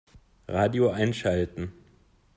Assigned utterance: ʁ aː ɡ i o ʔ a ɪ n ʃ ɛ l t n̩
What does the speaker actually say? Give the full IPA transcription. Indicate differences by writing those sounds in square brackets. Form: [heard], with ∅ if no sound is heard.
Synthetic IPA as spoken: ʁ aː [d] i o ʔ a ɪ n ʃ [a] l t n̩